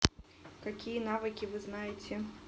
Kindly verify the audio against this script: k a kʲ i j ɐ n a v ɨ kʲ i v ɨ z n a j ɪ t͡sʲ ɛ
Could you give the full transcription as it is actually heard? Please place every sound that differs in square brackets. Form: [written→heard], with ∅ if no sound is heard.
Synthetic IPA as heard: k a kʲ i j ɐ n a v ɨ kʲ i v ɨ z n a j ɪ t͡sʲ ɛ